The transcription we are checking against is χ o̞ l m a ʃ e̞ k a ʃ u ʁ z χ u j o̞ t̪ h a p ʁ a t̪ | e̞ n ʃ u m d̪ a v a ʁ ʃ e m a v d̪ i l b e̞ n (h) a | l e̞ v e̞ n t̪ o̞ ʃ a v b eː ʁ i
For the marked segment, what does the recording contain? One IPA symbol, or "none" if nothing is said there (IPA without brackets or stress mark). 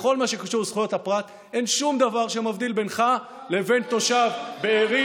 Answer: χ